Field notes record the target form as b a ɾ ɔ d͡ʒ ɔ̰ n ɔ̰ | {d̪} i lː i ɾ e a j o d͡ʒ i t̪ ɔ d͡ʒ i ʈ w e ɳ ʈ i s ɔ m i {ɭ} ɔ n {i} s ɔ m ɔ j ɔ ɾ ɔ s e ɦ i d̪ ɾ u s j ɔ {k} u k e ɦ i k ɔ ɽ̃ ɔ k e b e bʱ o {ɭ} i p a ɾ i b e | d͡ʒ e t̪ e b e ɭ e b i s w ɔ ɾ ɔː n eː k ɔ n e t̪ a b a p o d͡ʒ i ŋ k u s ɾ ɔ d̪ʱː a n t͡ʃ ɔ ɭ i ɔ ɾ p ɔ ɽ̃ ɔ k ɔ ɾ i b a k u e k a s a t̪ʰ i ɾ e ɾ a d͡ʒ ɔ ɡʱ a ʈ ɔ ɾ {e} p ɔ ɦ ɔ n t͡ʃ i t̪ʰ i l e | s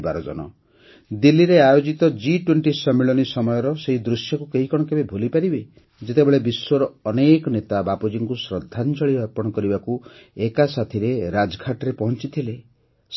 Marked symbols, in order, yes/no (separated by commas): yes, yes, yes, yes, no, yes